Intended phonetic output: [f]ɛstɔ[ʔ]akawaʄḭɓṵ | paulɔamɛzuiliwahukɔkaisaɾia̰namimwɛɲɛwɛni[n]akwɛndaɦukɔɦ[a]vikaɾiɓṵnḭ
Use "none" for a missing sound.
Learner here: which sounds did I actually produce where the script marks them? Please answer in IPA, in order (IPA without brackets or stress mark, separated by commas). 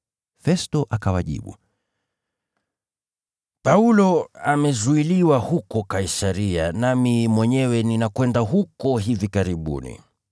f, ʔ, n, i